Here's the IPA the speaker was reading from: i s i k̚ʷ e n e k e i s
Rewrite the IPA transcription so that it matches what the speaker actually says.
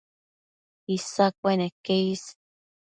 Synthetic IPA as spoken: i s a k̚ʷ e n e k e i s